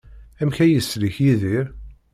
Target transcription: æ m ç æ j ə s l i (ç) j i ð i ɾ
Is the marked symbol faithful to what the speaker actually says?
yes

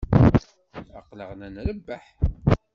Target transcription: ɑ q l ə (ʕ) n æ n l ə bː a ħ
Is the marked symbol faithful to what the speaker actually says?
no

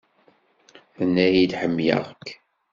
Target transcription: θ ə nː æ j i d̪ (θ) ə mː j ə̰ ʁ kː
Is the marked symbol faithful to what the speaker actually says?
no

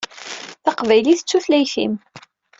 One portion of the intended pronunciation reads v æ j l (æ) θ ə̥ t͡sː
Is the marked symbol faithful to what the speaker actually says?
no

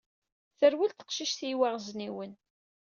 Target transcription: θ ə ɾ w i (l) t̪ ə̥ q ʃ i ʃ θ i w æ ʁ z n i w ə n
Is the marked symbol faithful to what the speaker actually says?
yes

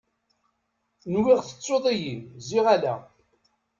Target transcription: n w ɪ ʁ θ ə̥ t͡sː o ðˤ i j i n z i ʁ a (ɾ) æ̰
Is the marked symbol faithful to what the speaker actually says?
no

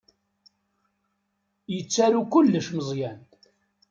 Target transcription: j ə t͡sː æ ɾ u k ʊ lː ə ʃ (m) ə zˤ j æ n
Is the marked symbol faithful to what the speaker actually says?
yes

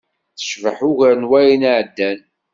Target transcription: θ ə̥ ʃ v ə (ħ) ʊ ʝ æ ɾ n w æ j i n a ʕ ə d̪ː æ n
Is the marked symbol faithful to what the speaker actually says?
yes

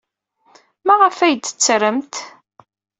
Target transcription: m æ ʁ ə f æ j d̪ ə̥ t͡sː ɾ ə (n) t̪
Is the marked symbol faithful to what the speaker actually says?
no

